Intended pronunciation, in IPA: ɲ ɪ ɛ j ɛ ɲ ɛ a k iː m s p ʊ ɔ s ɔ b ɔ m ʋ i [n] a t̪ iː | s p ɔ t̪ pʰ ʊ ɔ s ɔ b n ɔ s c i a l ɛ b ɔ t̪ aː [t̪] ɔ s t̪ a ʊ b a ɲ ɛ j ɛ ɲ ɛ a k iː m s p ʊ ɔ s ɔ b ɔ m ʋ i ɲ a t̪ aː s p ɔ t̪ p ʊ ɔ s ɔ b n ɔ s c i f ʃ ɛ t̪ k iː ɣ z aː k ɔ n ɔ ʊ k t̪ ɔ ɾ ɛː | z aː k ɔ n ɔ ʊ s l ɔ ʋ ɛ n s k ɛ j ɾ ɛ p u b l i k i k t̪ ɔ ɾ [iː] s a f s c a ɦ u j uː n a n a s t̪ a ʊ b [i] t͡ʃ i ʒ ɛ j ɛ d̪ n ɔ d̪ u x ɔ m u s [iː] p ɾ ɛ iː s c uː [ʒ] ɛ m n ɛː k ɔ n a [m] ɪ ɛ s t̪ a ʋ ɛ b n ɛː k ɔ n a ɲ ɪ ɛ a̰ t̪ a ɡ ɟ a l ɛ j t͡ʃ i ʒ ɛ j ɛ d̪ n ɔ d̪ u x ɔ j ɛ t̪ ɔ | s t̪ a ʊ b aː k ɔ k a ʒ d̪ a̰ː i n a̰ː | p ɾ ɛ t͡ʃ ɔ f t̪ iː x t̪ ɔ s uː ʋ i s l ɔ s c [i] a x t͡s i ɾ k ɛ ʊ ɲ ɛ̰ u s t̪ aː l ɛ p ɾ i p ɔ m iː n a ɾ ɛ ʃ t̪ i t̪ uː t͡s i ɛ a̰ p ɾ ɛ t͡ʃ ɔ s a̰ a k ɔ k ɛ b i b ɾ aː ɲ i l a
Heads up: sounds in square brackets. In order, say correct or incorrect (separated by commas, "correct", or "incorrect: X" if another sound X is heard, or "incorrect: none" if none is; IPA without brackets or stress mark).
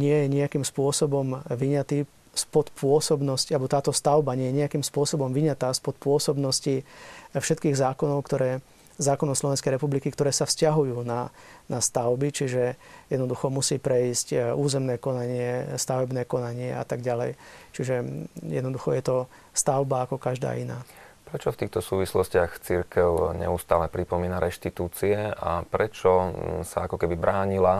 incorrect: ɲ, correct, incorrect: ɛː, correct, correct, incorrect: z, incorrect: ɲ, incorrect: ɪ